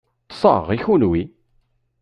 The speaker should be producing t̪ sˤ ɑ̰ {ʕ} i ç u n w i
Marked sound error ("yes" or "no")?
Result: yes